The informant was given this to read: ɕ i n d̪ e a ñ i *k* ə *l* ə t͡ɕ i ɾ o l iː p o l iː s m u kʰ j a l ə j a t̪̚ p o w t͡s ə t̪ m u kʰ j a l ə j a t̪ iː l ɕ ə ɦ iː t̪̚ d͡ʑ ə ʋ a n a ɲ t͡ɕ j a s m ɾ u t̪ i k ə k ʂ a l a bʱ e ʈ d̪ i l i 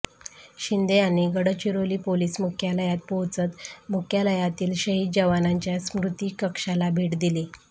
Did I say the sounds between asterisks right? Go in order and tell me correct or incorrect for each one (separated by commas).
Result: incorrect, incorrect